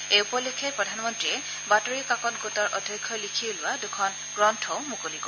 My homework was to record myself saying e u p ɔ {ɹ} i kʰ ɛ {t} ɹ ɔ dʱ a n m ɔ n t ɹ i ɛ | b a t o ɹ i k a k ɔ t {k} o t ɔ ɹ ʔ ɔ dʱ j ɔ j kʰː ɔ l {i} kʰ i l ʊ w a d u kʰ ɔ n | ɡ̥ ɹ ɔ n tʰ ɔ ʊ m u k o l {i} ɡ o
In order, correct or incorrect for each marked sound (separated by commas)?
incorrect, incorrect, incorrect, correct, correct